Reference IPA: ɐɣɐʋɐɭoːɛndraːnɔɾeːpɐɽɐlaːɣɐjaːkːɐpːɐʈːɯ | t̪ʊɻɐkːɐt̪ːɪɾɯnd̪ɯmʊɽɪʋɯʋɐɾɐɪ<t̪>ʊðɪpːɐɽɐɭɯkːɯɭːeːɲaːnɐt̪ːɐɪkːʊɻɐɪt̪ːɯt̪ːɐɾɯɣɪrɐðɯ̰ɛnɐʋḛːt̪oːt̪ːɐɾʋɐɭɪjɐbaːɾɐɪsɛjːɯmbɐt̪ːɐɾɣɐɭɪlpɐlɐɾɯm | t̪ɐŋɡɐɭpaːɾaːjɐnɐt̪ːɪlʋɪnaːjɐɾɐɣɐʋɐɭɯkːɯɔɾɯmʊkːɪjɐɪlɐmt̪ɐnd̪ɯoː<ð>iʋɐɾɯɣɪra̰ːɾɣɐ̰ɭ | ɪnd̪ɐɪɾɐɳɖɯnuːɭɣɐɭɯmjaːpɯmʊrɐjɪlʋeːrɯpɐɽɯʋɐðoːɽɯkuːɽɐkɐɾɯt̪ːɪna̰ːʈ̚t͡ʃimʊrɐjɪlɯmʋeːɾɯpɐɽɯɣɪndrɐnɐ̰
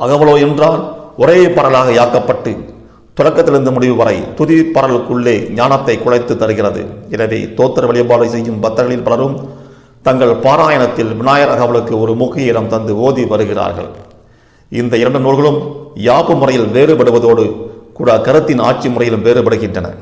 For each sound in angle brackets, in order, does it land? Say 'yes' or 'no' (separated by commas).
yes, yes